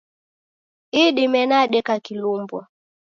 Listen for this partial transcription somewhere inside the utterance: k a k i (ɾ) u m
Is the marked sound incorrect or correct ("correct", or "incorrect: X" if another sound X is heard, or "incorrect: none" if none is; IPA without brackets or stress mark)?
incorrect: l